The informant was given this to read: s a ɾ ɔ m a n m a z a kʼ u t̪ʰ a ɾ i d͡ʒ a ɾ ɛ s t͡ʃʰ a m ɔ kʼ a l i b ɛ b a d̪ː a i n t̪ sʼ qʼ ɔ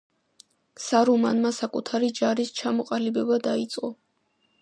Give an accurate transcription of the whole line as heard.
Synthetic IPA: s a ɾ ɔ m a n m a s a kʼ u t̪ʰ a ɾ i d͡ʒ a ɾ i s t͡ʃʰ a m ɔ qʼ a l i b ɛ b a d̪ a i t̪ sʼ qʼ ɔ